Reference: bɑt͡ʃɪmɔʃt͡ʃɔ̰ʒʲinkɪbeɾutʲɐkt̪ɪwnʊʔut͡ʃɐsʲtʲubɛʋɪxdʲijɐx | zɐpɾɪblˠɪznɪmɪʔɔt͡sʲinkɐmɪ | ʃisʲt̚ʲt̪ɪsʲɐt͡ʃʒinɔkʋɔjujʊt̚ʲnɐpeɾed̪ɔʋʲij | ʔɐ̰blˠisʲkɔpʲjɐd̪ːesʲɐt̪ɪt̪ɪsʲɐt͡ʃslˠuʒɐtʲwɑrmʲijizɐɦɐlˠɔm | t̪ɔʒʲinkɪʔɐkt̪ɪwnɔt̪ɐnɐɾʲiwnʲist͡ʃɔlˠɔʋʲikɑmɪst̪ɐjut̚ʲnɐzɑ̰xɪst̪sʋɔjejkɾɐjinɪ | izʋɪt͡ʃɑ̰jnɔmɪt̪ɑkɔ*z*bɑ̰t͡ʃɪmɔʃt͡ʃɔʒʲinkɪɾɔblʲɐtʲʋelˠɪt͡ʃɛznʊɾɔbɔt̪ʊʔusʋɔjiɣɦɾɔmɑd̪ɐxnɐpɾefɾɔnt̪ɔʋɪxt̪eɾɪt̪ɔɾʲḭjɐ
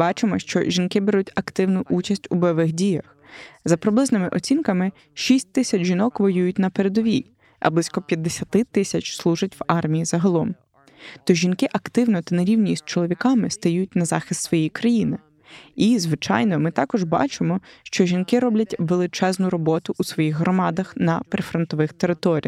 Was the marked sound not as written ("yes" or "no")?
yes